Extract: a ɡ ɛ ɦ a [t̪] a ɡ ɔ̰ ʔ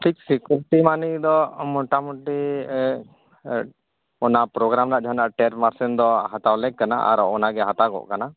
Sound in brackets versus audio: correct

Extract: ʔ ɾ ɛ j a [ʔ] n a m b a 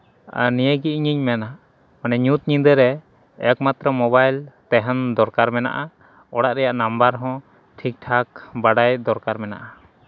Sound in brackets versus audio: correct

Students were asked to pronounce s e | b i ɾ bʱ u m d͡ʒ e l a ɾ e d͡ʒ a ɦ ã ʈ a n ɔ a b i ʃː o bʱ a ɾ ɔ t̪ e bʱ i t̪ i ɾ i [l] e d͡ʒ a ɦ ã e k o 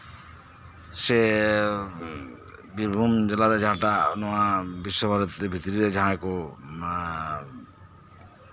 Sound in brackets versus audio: incorrect: ɾ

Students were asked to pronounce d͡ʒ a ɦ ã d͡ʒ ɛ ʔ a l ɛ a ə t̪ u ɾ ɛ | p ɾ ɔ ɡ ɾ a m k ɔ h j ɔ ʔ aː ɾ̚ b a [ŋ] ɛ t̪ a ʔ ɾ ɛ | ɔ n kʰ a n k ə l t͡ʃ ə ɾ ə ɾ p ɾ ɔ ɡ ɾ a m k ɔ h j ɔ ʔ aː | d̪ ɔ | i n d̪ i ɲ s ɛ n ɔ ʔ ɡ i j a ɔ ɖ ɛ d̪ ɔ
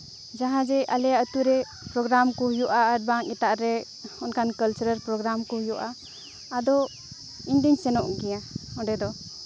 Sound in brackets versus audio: correct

